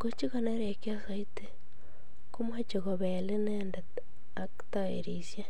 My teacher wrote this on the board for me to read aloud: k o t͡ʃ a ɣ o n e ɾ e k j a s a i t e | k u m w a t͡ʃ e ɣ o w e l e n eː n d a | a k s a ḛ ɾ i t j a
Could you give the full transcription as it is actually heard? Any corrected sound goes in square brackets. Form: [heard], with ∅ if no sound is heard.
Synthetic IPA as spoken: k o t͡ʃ [i] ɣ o n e ɾ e k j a s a i t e | k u m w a t͡ʃ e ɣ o [β] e l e n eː n d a | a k [t] a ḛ ɾ i [s] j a